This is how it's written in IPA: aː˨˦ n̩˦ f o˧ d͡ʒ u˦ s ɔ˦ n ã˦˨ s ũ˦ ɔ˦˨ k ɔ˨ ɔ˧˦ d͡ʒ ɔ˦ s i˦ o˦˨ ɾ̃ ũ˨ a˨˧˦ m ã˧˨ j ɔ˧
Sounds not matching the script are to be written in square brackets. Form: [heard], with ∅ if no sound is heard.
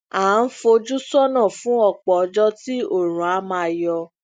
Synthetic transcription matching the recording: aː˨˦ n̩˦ f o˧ d͡ʒ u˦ s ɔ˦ n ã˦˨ [f] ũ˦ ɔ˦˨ [k͡p] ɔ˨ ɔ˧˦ d͡ʒ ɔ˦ [t] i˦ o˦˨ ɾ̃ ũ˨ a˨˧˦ m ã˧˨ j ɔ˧